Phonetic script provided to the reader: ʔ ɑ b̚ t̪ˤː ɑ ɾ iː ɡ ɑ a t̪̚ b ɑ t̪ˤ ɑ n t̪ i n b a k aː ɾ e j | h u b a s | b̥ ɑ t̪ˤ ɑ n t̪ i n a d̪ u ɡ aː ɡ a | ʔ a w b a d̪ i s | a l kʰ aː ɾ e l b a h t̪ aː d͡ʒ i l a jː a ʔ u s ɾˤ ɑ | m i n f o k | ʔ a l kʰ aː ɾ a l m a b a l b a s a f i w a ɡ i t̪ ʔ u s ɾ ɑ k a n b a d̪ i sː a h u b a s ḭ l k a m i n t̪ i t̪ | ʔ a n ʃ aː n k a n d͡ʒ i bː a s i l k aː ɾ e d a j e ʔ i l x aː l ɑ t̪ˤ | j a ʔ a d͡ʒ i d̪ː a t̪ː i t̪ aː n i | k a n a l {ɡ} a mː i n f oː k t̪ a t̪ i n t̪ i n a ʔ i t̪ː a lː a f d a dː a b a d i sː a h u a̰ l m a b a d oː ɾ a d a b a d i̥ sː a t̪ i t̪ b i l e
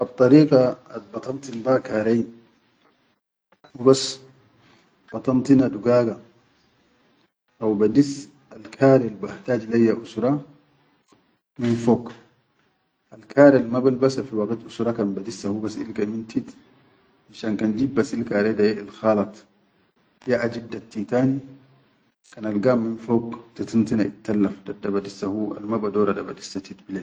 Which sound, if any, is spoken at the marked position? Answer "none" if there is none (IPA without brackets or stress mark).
ɡ